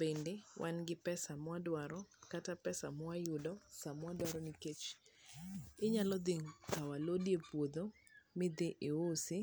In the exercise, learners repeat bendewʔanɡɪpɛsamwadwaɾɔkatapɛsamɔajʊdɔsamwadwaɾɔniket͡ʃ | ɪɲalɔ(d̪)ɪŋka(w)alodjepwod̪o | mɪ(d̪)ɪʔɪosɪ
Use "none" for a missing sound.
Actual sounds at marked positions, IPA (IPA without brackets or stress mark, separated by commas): d̪, w, d̪